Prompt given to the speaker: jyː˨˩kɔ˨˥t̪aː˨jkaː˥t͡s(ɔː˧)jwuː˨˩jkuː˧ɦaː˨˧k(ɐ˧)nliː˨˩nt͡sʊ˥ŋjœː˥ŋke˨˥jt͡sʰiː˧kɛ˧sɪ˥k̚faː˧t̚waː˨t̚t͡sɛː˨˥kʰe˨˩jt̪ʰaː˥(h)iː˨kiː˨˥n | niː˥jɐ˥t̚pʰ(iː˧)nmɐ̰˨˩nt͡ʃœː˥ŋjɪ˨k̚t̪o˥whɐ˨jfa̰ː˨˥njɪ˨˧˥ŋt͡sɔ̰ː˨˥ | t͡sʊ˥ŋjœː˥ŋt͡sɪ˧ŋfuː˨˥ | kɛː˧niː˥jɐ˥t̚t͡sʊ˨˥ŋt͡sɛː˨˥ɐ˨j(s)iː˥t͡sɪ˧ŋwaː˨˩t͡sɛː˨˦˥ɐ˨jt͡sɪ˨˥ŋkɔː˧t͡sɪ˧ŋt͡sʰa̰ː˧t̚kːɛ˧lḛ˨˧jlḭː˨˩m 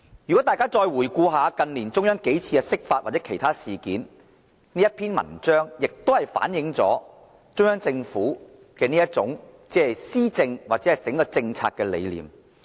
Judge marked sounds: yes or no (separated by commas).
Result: yes, yes, no, no, yes